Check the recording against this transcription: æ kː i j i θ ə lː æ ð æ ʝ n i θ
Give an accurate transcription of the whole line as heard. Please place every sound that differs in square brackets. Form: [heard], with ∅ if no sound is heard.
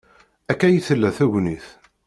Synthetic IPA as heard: æ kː [æ] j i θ ə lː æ [θ] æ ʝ n i θ

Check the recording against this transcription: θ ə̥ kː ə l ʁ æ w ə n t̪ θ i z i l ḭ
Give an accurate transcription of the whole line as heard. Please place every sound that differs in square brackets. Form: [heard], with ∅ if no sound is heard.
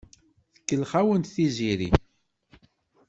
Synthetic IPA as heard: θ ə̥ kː ə l [χ] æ w ə n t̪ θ i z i [ɾ] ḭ

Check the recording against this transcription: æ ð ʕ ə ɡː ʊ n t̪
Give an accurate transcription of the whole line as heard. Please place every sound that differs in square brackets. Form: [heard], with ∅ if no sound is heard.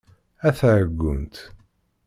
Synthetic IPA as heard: æ [θ] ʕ ə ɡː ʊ n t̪

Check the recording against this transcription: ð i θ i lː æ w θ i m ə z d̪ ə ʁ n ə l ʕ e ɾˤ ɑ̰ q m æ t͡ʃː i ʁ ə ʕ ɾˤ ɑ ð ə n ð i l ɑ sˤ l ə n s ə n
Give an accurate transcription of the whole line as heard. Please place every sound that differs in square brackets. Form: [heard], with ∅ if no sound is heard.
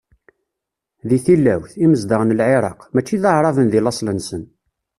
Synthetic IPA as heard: ð i θ i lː æ w θ i m ə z d̪ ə ʁ n ə l ʕ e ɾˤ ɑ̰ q m æ t͡ʃː i [ð] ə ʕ ɾˤ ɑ [v] ə n ð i l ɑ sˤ l ə n s ə n

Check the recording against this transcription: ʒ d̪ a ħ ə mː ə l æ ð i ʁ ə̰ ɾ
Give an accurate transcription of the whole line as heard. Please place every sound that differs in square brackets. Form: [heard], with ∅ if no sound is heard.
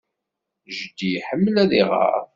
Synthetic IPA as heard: ʒ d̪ [i] ħ ə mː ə l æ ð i ʁ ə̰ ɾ

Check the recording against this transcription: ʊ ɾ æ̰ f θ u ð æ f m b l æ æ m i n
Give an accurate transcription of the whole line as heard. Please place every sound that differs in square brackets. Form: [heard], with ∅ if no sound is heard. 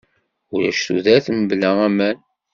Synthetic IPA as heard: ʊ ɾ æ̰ [ʃ] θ u ð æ [θ] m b l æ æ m [æ] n

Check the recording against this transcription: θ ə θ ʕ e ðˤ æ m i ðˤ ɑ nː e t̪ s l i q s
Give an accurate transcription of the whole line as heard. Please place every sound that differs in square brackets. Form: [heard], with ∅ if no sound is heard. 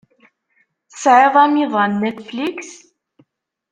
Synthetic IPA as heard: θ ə [s] ʕ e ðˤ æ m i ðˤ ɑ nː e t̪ [f] l i [k] s

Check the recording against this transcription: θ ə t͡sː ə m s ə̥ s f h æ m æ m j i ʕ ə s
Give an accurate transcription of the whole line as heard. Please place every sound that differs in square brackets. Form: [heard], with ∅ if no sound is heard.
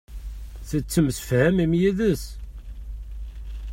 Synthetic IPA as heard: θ ə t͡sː ə m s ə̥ [∅] f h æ m [i] m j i [ð] ə s

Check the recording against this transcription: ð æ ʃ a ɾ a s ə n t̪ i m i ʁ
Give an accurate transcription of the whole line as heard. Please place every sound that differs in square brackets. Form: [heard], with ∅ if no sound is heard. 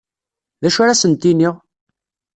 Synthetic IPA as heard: ð æ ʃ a ɾ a s ə n t̪ i [n] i ʁ

